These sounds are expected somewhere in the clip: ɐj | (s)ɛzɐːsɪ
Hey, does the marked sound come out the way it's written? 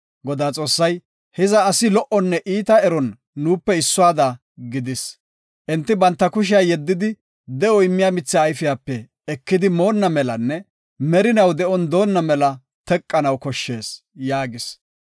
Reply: no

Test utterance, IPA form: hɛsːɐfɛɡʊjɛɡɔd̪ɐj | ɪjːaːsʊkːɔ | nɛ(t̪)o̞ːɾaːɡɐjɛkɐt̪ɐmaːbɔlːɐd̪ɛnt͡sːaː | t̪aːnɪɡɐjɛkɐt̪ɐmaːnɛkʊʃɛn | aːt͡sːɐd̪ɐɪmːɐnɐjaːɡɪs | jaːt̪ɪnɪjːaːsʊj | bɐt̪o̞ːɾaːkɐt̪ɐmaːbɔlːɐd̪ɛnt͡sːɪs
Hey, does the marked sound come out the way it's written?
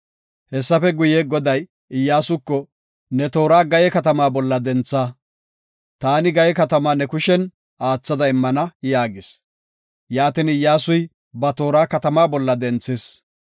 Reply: yes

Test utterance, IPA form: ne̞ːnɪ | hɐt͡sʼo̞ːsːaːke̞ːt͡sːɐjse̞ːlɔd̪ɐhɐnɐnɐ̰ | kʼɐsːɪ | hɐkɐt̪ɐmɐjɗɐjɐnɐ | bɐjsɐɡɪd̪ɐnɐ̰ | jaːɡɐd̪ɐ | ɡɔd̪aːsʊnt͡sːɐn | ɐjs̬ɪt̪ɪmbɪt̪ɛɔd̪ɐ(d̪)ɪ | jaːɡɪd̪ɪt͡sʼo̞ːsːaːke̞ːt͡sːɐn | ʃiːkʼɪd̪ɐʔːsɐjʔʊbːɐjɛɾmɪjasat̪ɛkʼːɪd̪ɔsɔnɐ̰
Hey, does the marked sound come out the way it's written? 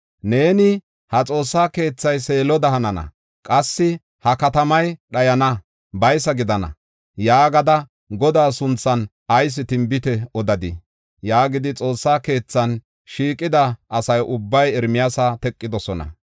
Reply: yes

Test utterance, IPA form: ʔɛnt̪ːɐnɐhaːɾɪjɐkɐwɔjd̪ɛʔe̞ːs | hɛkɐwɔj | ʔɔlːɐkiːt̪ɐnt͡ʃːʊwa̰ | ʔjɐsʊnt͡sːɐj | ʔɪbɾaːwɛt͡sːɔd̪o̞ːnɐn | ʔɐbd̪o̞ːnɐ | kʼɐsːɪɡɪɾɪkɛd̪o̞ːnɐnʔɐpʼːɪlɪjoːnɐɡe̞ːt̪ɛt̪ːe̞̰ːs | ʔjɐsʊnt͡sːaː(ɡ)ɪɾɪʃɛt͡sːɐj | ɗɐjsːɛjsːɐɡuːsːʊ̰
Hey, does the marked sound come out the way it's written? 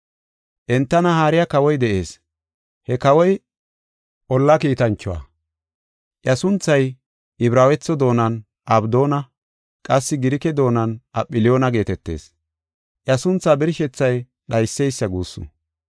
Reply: no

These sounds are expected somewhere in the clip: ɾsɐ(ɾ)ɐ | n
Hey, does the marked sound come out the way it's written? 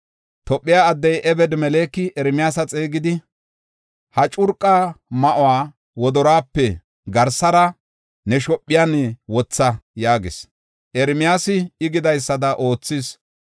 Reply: yes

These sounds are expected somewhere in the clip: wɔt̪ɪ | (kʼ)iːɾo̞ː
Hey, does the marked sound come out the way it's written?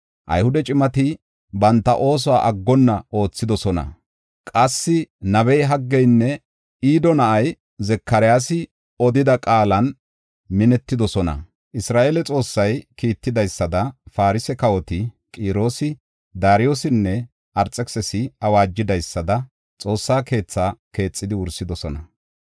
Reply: yes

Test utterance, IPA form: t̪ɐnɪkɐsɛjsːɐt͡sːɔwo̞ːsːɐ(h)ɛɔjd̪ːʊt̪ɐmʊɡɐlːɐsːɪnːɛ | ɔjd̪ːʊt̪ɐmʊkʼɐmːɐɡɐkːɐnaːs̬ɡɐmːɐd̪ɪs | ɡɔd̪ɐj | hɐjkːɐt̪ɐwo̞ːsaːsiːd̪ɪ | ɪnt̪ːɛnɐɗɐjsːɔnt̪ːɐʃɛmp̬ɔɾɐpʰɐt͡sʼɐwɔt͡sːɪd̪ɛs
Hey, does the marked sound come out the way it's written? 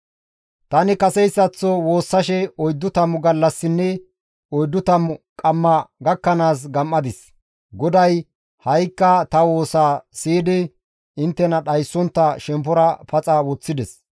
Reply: no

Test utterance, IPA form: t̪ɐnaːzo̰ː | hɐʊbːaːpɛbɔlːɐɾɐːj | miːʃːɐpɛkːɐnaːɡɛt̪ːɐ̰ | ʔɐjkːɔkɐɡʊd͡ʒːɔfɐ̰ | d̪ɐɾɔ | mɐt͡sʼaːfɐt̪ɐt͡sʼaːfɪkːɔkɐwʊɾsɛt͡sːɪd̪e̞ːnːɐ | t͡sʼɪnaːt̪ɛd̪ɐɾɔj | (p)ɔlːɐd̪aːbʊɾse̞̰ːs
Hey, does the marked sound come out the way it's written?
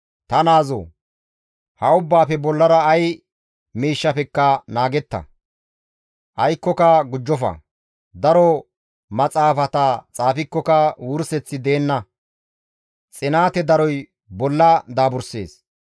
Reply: no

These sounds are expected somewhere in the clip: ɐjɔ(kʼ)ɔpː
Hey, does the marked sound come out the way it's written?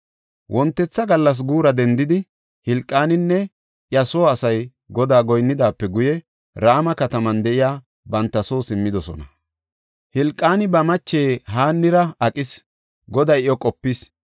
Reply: yes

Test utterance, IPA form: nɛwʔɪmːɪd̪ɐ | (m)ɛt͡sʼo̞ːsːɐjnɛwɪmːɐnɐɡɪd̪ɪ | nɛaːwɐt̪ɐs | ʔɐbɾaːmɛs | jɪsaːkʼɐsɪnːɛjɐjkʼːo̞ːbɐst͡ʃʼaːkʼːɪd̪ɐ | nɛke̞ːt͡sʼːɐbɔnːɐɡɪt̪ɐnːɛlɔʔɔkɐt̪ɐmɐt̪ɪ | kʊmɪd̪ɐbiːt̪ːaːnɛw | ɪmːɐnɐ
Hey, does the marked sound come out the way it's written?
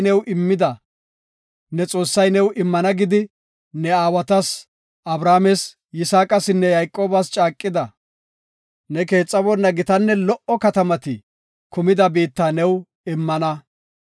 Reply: no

